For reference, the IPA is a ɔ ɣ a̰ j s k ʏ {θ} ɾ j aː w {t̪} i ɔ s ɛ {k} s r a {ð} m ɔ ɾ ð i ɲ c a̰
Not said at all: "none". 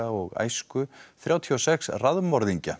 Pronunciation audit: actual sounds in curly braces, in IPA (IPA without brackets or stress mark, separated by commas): θ, t̪ʰ, k, ð